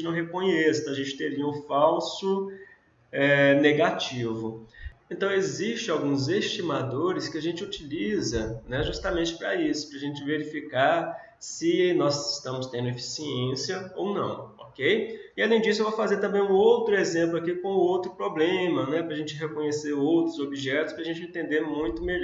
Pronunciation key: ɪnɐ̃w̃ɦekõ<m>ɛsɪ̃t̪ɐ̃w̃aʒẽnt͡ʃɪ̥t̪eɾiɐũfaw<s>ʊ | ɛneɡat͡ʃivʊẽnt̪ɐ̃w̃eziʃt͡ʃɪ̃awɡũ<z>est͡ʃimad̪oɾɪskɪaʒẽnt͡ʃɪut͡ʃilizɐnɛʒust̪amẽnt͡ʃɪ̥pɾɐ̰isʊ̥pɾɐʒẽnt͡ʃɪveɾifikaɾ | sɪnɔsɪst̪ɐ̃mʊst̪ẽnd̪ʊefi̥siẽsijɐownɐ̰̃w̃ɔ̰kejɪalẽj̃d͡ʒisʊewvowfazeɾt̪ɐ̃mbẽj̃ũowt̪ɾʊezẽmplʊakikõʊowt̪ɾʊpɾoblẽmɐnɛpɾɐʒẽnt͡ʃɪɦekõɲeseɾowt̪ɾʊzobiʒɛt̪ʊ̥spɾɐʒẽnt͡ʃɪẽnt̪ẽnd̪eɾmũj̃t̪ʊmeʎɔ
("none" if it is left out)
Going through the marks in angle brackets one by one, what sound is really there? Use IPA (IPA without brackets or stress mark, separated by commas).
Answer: ɲ, s, z